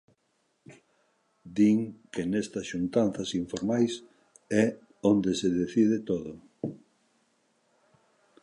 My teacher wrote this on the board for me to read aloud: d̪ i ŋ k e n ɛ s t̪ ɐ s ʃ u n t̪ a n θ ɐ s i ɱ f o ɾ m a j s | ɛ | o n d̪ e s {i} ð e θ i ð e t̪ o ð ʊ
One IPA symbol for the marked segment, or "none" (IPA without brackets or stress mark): e